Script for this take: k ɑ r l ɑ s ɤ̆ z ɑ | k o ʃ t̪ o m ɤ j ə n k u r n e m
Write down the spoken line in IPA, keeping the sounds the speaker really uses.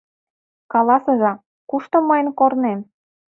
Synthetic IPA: k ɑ l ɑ s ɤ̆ ʒ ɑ | k u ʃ t̪ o m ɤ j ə n k o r n e m